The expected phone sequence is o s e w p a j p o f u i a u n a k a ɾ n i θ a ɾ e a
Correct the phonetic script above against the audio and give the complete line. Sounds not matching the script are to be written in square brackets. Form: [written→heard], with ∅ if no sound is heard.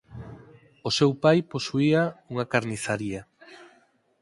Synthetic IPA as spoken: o s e w p a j p o [f→s] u i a u [n→ŋ] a k a ɾ n i θ a ɾ [e→i] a